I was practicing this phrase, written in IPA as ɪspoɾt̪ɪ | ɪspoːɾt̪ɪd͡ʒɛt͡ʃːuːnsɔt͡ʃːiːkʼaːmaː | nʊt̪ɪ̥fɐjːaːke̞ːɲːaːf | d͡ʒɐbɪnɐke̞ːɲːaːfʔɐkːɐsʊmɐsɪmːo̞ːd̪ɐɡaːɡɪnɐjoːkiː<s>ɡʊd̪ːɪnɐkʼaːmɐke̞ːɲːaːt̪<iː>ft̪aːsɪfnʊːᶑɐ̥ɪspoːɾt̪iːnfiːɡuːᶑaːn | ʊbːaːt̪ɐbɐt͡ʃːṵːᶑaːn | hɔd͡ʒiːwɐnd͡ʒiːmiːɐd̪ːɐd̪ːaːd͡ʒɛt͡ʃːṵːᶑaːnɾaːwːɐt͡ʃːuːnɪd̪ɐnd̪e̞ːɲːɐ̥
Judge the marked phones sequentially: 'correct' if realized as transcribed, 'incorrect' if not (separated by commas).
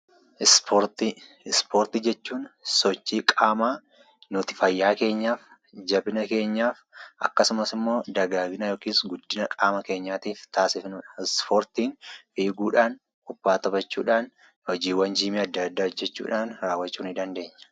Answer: correct, correct